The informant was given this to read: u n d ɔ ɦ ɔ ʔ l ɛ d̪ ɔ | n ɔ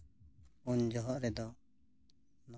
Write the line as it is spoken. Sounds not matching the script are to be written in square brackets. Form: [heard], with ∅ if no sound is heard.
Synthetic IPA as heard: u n [d͡ʒ] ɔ ɦ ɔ ʔ [ɾ] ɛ d̪ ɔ | n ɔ